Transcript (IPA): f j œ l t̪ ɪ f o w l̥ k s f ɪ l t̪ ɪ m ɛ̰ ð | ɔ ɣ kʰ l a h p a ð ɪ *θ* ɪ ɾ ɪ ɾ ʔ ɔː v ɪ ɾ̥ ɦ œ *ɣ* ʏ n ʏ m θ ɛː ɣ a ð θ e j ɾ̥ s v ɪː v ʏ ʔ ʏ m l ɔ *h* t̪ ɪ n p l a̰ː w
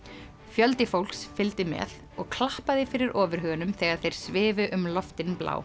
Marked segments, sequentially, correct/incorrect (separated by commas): incorrect, correct, incorrect